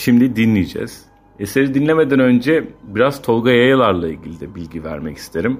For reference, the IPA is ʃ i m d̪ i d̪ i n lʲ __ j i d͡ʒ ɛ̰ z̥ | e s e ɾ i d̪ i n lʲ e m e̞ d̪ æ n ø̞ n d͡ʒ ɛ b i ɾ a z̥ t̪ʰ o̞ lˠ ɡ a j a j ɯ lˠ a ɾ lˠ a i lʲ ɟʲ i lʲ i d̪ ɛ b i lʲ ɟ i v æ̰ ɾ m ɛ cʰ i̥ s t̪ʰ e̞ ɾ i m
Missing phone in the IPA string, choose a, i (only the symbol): i